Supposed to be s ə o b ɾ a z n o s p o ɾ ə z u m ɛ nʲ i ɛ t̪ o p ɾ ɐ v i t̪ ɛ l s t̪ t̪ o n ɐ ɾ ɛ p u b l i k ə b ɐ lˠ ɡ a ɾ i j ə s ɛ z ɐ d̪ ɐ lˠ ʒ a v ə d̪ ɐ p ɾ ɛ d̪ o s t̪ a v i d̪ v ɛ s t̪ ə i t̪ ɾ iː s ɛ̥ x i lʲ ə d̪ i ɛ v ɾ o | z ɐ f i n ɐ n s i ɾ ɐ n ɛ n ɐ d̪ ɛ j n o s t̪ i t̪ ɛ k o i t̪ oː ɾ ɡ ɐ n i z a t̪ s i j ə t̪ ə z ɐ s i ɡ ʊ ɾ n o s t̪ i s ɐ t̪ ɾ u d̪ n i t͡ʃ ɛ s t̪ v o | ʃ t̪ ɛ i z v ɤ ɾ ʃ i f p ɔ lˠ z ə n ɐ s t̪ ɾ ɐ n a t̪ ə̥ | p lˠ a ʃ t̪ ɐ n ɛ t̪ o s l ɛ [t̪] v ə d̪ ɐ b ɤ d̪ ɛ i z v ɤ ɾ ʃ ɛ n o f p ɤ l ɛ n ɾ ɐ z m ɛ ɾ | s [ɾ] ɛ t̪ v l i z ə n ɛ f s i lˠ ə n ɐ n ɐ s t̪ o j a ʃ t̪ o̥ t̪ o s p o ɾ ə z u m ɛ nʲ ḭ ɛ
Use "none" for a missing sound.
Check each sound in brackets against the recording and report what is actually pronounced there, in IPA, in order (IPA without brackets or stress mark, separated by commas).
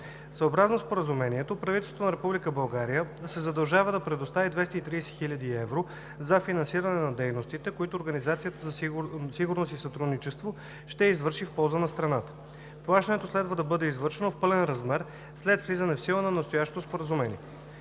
d̪, l